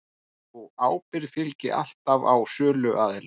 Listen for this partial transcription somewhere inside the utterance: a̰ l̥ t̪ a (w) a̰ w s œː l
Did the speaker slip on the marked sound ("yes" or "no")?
yes